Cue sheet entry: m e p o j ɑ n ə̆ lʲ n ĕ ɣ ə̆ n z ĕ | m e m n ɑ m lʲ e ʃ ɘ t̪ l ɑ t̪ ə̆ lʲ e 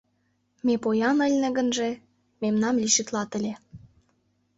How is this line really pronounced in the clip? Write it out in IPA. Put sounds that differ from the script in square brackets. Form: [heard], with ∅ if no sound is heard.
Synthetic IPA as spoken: m e p o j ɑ n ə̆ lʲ n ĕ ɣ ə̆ n [ʒ] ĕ | m e m n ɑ m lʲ [i] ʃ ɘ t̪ l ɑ t̪ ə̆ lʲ e